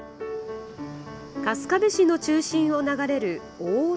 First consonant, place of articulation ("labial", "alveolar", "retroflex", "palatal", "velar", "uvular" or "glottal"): velar